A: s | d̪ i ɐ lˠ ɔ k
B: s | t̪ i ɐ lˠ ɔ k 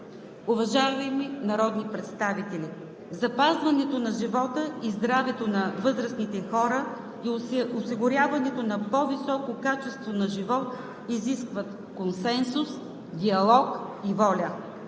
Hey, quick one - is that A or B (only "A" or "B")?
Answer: A